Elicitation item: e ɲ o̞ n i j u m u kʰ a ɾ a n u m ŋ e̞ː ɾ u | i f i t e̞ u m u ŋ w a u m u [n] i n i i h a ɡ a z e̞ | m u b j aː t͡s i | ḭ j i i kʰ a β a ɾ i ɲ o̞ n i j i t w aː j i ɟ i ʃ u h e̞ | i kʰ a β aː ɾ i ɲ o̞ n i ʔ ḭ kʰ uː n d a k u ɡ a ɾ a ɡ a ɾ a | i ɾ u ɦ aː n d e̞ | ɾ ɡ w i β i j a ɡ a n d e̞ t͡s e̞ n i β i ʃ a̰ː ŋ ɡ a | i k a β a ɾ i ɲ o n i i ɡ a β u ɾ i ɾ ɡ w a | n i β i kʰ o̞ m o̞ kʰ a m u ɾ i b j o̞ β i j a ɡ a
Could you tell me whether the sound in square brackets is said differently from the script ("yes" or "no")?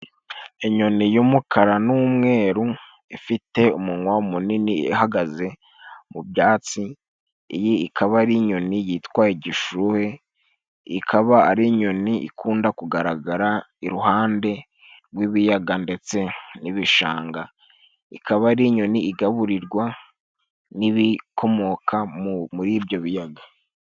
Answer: no